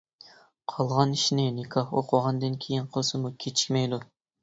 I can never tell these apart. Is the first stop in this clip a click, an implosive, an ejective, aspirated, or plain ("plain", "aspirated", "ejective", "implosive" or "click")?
aspirated